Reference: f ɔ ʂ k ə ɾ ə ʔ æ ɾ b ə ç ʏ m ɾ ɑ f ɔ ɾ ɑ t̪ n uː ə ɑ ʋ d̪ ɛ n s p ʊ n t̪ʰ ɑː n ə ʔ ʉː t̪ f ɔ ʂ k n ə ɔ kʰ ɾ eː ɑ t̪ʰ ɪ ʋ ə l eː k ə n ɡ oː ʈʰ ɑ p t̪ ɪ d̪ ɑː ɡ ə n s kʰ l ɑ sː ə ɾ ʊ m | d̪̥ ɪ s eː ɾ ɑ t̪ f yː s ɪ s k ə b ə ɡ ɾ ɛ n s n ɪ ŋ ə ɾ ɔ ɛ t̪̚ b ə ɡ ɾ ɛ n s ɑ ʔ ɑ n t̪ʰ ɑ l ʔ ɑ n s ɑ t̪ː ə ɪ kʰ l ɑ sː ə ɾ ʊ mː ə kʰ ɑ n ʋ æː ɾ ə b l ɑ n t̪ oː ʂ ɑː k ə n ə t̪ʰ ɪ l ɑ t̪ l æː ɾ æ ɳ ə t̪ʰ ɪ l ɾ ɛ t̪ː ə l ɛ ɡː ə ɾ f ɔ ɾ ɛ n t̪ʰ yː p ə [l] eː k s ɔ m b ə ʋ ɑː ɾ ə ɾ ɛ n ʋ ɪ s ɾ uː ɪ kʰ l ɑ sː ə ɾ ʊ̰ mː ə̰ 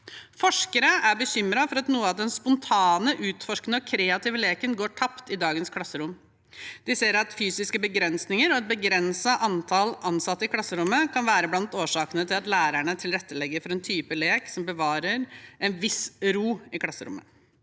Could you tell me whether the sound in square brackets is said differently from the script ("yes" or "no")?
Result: no